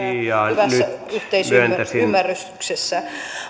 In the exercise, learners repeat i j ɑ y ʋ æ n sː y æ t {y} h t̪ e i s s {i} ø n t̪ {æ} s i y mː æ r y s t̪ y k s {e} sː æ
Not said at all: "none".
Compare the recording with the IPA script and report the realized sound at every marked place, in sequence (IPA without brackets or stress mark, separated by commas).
y, y, æ, e